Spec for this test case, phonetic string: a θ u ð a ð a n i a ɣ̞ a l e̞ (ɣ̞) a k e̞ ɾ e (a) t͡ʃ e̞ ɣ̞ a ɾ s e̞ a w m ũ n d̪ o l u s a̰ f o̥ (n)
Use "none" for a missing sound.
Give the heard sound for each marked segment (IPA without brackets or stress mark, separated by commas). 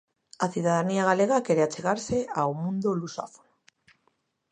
ɣ̞, a, n